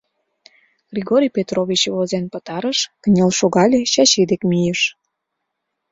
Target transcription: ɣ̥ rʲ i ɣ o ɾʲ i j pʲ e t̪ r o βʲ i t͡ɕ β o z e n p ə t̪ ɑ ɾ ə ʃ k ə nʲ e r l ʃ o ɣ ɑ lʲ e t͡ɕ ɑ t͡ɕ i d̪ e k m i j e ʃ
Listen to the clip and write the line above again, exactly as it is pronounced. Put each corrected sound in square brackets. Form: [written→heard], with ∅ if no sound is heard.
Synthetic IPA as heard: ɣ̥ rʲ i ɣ o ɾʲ i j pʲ e t̪ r o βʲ i t͡ɕ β o z e n p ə t̪ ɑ ɾ ə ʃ k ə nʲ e [r→∅] l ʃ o ɣ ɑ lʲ e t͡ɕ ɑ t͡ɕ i d̪ e k m i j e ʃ